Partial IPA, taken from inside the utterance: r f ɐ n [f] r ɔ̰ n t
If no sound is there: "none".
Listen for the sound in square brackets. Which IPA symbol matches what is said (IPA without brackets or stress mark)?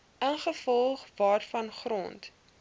χ